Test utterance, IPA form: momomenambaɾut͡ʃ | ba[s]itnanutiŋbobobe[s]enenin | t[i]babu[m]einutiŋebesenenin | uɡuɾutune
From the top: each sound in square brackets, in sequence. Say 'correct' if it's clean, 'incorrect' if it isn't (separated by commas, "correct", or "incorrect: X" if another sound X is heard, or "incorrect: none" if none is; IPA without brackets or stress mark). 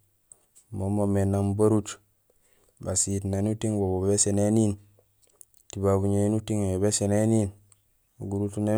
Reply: correct, correct, correct, incorrect: ɲ